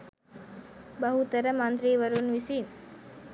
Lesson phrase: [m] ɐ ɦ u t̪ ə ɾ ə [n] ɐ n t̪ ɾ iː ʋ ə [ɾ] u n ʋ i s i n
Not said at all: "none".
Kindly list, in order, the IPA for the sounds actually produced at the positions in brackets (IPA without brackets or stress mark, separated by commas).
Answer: b, m, ɾ